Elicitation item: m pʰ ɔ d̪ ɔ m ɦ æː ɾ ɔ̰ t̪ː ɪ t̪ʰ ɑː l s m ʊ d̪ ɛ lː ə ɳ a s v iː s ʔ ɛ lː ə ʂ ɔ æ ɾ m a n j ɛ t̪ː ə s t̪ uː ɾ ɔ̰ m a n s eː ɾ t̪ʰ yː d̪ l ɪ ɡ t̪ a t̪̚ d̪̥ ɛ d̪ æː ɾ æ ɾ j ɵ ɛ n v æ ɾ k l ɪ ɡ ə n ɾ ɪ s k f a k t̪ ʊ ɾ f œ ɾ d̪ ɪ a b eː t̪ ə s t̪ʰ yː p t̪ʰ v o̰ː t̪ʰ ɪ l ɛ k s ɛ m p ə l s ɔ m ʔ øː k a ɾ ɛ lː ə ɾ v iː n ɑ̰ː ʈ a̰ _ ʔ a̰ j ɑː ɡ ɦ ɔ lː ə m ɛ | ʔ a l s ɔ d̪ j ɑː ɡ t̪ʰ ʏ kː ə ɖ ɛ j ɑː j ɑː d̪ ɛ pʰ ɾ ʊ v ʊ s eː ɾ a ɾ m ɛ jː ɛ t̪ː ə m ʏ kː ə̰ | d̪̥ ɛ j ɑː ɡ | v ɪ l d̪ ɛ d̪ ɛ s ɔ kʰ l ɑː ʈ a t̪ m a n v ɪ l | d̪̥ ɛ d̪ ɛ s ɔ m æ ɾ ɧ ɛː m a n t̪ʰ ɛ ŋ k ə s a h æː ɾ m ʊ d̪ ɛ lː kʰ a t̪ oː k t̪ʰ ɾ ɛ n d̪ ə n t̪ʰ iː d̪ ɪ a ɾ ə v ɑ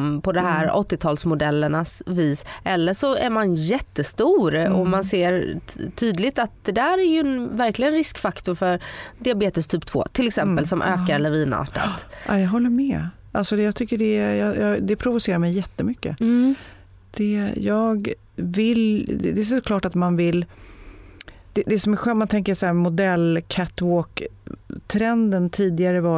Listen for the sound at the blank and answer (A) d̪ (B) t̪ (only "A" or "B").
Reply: B